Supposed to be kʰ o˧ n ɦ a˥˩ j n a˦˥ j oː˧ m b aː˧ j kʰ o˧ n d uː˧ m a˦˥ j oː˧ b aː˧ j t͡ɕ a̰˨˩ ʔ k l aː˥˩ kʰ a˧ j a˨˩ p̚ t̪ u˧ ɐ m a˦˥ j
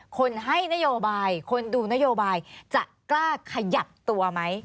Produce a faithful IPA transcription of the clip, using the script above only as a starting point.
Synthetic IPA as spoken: kʰ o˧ n ɦ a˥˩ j n a˦˥ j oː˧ b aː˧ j kʰ o˧ n d uː˧ n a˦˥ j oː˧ b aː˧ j t͡ɕ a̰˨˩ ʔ k l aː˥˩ kʰ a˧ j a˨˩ p̚ t̪ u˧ ɐ m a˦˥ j